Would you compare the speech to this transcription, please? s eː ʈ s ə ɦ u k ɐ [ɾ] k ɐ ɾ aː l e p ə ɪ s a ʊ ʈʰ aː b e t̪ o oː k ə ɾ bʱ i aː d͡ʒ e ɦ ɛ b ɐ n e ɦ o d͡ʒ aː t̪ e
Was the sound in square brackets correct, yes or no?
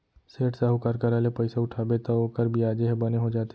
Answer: yes